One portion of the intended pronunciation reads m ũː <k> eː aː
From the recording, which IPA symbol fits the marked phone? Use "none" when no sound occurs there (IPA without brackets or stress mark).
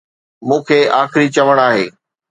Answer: kʰ